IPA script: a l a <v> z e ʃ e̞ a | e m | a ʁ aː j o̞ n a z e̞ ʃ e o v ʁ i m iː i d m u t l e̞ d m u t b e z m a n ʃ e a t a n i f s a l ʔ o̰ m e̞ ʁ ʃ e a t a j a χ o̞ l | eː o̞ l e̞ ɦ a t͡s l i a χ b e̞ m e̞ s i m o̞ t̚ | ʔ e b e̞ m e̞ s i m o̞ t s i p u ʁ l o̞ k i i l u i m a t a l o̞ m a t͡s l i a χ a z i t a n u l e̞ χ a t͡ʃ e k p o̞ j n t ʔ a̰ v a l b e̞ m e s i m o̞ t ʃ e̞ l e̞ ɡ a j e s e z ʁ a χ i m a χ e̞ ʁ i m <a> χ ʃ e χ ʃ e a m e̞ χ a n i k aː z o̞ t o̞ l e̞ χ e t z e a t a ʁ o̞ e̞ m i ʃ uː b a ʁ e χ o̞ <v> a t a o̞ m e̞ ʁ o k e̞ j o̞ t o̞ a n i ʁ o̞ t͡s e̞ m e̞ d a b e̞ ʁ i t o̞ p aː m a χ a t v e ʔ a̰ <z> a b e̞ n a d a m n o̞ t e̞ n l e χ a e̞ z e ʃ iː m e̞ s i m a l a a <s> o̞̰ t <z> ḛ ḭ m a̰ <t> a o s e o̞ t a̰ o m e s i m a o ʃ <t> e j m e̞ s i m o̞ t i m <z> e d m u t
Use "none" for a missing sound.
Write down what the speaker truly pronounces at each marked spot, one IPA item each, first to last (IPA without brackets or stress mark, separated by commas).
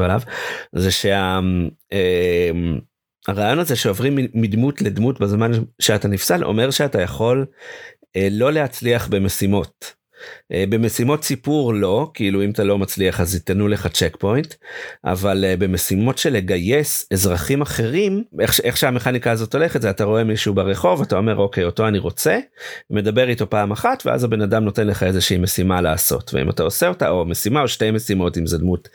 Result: v, e, v, z, s, v, t, t, z